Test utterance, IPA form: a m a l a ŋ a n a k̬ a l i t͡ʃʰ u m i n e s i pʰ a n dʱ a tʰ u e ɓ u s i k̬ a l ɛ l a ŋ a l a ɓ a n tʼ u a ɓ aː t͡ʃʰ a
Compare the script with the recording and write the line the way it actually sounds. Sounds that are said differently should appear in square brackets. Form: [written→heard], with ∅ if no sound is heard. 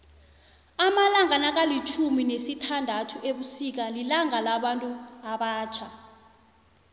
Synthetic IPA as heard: a m a l a ŋ a n a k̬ a l i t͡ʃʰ u m i n e s i [pʰ→tʰ] a n dʱ a tʰ u e ɓ u s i k̬ a l [ɛ→i] l a ŋ a l a ɓ a n tʼ u a ɓ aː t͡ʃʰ a